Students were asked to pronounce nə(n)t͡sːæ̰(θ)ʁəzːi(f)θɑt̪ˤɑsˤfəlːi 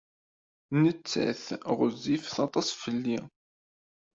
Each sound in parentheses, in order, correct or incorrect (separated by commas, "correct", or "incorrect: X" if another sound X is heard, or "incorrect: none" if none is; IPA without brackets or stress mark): incorrect: none, correct, correct